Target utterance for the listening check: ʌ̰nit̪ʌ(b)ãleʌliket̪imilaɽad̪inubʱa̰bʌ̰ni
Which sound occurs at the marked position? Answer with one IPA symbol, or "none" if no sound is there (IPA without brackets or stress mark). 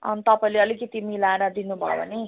p